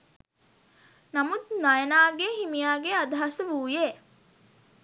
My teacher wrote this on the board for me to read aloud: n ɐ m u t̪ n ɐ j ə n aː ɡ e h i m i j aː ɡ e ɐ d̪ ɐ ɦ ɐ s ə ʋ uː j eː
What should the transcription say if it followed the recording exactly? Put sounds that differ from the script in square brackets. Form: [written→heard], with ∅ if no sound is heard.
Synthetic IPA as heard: n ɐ m u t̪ n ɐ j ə n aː ɡ e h i m i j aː ɡ e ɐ d̪ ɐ ɦ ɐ s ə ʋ uː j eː